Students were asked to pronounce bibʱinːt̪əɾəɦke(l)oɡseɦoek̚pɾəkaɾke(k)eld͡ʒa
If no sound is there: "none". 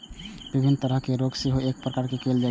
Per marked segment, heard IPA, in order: ɾ, k

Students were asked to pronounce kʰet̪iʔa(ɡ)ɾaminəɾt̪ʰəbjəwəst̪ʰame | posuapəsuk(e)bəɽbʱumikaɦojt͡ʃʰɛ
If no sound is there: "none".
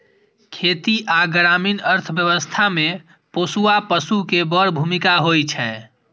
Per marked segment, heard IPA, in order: ɡ, e

